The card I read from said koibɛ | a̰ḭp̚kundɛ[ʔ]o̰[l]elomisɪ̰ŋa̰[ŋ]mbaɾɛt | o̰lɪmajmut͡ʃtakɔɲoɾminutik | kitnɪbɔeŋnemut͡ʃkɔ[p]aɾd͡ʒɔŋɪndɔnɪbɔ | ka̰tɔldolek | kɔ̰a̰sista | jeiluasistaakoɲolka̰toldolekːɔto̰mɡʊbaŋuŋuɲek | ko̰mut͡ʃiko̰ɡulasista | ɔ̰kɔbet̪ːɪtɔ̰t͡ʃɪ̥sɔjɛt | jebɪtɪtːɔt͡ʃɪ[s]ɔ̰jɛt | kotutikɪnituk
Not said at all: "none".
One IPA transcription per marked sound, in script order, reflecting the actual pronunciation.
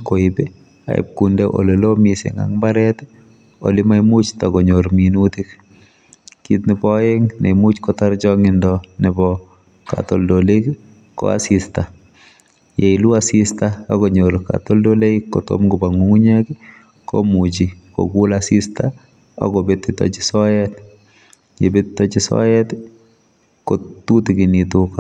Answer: ʔ, l, ŋ, t, s

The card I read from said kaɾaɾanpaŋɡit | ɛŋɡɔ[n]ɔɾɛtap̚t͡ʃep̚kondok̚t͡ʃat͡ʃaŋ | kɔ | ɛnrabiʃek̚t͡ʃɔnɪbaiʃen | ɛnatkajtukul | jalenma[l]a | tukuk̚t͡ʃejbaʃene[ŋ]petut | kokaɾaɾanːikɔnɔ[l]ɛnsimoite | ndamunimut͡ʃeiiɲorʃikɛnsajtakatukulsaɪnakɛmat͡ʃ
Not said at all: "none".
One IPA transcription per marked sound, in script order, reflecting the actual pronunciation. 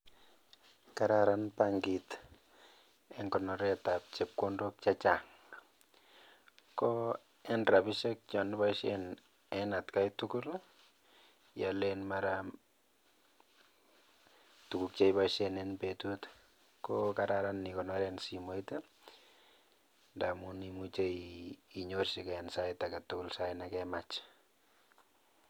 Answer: n, ɾ, n, ɾ

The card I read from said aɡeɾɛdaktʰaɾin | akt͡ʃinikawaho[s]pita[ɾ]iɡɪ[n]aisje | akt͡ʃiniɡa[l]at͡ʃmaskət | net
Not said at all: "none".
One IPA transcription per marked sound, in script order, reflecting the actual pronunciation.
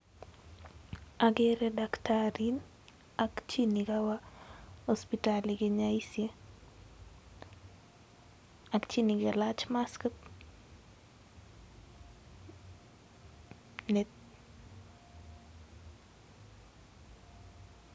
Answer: s, l, ɲ, l

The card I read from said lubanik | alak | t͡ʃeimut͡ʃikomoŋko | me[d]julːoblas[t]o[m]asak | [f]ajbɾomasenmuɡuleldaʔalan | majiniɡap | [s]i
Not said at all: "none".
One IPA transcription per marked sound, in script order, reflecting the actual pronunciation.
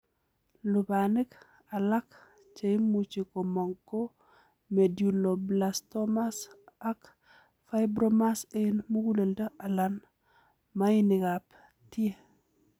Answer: d, t, m, f, t

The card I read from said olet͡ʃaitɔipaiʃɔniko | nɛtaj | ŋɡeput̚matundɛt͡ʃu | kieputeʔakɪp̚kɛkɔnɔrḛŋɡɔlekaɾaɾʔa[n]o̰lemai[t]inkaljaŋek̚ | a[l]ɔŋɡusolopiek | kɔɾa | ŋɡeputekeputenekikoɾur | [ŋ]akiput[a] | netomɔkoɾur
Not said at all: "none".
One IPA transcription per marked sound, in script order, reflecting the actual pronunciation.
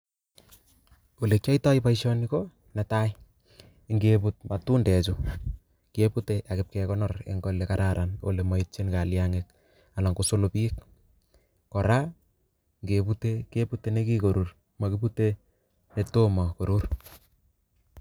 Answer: n, t͡ʃ, l, m, e

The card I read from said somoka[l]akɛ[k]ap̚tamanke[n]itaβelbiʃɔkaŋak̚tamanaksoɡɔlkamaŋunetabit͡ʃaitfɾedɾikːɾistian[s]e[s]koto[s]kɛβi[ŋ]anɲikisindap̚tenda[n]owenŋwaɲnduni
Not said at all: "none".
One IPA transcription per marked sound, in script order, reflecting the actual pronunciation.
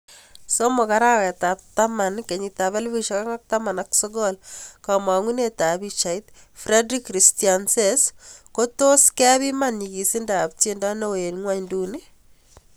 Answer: ɾ, t, ɲ, s, s, s, m, n

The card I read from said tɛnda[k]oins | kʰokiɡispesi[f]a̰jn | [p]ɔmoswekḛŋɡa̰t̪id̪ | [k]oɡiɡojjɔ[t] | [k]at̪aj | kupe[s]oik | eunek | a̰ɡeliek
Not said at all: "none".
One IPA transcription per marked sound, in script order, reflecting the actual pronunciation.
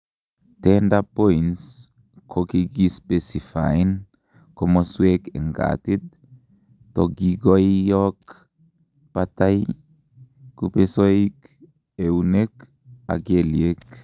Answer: p, f, k, t, k, p, s

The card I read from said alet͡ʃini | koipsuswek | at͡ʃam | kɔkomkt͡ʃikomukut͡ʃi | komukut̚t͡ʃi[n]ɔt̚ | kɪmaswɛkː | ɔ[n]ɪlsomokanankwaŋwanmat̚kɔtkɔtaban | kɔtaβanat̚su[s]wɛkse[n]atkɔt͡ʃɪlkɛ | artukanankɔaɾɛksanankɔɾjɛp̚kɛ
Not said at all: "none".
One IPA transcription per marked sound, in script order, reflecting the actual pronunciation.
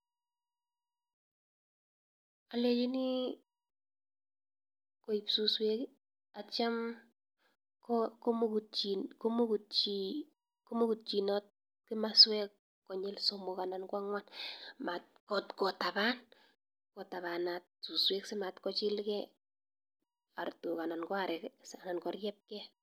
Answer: n, ɲ, s, m

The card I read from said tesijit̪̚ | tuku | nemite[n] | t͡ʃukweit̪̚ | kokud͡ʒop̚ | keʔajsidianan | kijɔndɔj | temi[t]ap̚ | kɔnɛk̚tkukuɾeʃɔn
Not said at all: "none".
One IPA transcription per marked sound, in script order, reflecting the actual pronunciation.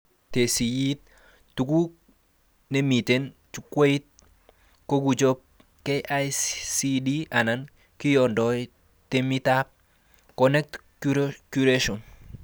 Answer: n, t

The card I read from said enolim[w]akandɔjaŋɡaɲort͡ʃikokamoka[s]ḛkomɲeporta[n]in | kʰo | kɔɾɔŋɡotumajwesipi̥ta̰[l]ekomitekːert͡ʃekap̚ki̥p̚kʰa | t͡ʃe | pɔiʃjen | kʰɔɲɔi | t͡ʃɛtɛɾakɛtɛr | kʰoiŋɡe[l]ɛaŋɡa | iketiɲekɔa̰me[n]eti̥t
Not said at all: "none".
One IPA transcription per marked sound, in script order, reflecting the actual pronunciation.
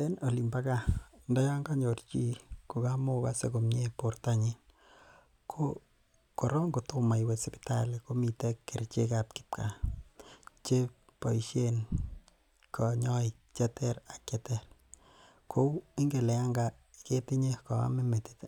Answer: b, s, ɲ, l, l, m

